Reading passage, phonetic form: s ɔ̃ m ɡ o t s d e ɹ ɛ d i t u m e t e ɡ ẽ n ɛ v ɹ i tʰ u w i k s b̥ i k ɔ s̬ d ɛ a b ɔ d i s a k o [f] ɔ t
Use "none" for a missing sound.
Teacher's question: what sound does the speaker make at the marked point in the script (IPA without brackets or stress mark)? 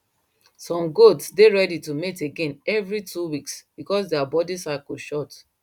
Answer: ʃ